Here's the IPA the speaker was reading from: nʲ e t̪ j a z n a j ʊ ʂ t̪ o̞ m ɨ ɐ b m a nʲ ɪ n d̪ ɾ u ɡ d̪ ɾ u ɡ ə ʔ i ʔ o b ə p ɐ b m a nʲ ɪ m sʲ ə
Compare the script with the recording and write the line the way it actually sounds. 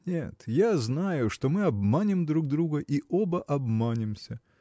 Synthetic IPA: nʲ e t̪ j a z n a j ʊ ʂ t̪ o̞ m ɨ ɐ b m a nʲ ɪ m d̪ ɾ u ɡ d̪ ɾ u ɡ ə ʔ i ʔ o b ə ʔ ɐ b m a nʲ ɪ m sʲ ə